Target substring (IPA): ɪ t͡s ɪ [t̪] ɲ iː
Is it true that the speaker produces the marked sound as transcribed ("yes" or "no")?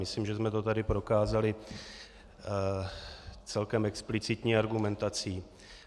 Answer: yes